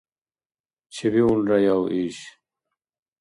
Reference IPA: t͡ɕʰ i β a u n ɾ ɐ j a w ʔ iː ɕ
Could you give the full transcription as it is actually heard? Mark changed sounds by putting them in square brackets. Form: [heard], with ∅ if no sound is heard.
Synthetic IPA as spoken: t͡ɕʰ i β [i] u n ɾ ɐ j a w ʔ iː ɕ